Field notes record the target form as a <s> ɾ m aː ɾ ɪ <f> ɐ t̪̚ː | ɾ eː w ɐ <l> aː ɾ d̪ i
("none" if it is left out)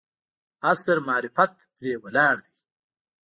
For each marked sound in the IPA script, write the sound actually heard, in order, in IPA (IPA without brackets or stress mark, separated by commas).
s, f, l